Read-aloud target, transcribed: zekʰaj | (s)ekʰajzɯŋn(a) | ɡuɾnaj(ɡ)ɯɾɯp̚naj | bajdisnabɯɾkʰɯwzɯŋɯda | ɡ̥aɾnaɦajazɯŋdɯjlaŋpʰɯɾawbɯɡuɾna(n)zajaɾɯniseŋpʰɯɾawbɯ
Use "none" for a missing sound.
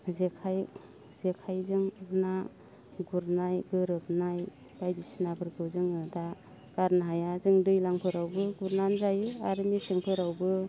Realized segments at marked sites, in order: z, a, ɡ, n

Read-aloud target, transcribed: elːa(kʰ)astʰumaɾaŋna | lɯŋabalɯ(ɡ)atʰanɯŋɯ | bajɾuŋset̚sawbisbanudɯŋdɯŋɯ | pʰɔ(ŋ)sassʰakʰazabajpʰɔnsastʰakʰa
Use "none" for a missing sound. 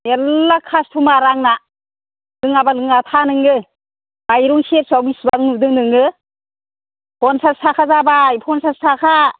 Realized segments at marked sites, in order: kʰ, ŋ, n

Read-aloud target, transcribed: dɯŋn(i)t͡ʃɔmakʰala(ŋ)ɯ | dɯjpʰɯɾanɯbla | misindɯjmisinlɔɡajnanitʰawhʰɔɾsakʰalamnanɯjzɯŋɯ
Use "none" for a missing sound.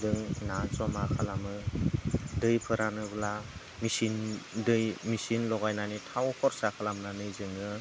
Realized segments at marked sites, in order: a, m

